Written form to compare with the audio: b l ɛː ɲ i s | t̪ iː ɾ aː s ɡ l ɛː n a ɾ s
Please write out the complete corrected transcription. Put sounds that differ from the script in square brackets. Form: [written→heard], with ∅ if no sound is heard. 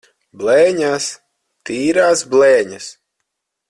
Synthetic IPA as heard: b l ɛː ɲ [i→a] s | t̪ iː ɾ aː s [ɡ→b] l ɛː [n→ɲ] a [ɾ→∅] s